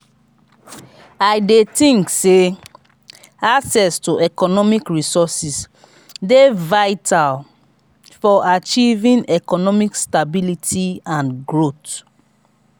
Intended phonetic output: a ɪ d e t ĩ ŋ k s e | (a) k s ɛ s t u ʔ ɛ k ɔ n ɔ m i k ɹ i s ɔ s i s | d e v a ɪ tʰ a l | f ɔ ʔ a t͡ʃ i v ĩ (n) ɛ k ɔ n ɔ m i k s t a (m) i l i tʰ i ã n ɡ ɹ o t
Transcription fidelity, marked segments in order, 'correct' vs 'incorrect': correct, correct, incorrect

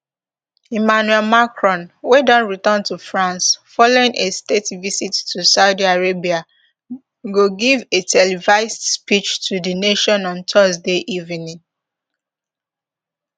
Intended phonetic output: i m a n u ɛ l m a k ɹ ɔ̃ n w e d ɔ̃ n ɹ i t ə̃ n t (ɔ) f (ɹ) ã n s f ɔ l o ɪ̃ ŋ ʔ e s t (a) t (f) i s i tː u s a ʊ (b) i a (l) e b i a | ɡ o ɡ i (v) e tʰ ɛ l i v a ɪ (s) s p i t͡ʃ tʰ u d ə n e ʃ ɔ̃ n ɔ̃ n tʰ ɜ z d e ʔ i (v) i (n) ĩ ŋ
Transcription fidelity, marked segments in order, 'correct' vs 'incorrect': incorrect, correct, incorrect, incorrect, incorrect, incorrect, correct, correct, correct, correct

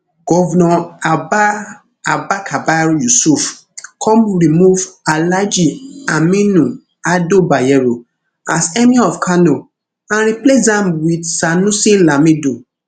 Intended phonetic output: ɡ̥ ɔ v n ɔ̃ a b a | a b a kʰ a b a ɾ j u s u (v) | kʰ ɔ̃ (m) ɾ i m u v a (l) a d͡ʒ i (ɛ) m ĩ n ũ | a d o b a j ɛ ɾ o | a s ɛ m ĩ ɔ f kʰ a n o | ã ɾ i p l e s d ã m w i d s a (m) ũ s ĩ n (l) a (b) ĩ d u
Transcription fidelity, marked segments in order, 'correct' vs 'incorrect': incorrect, correct, correct, incorrect, incorrect, correct, incorrect

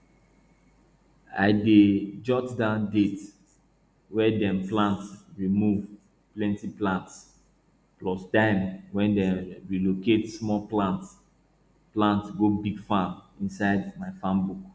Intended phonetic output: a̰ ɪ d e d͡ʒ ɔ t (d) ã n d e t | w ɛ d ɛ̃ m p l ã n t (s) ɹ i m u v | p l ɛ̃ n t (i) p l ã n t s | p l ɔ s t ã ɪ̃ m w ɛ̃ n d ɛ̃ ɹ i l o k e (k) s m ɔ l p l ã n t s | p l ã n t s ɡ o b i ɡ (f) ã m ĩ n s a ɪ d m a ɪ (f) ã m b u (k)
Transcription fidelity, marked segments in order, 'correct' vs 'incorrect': correct, correct, correct, incorrect, correct, correct, correct

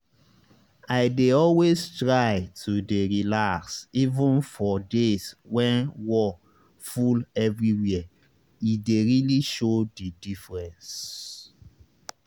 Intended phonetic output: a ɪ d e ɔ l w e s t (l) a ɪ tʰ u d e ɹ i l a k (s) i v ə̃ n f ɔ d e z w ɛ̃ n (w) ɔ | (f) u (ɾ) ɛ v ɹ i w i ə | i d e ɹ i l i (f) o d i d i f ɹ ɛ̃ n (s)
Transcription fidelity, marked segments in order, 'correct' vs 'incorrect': incorrect, correct, correct, correct, incorrect, incorrect, correct

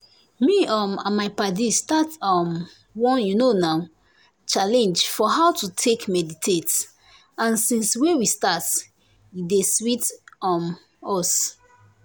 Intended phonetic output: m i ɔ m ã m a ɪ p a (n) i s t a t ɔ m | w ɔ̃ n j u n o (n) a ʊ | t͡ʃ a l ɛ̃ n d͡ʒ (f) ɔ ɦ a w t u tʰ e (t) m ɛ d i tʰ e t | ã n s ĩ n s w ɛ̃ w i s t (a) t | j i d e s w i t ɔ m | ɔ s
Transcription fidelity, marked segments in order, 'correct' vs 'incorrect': incorrect, correct, correct, incorrect, correct

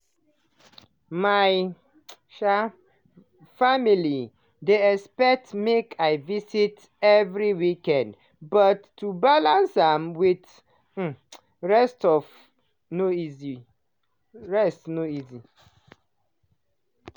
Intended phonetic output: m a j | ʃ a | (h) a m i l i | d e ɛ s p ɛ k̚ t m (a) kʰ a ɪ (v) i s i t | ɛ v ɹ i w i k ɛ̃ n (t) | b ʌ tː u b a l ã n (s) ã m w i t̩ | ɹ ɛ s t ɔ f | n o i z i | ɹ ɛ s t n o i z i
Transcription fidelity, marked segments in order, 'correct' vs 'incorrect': incorrect, incorrect, correct, incorrect, correct

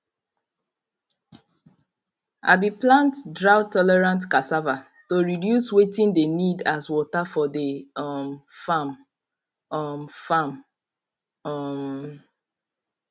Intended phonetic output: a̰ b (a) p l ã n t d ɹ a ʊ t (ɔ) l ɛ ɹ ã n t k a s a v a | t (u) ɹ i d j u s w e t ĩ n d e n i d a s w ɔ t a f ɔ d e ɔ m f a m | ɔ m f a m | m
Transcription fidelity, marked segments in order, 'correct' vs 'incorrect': incorrect, correct, incorrect

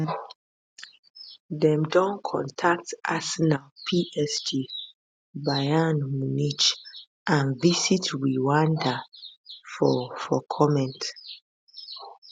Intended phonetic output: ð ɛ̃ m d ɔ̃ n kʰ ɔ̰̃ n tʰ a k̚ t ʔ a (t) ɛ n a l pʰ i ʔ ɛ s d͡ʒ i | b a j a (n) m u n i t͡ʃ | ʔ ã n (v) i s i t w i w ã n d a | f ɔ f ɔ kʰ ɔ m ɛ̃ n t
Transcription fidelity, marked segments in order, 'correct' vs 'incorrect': incorrect, correct, correct

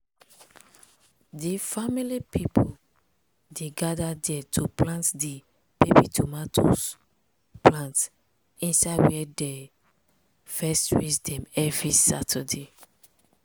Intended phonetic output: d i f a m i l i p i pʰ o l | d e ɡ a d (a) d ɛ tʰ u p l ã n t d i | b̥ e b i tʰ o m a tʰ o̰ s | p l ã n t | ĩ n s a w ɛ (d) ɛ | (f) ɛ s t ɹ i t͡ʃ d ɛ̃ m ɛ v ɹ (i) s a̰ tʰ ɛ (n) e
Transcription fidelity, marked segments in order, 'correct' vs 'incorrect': correct, correct, correct, correct, incorrect

